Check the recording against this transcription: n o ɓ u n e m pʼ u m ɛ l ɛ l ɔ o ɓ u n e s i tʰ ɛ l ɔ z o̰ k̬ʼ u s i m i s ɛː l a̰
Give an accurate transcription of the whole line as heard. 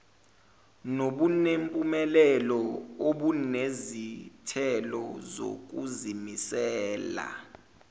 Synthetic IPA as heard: n o ɓ u n e m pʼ u m ɛ l ɛ l ɔ o ɓ u n e z i tʰ ɛ l ɔ z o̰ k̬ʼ u z i m i s ɛː l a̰